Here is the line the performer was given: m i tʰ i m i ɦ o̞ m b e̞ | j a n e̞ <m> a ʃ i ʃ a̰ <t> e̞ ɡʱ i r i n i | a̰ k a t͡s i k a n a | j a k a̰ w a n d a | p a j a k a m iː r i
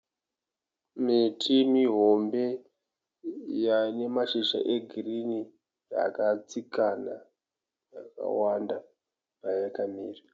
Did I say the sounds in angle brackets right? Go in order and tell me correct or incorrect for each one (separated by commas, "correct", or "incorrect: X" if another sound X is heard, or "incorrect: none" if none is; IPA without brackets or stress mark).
correct, incorrect: ʔ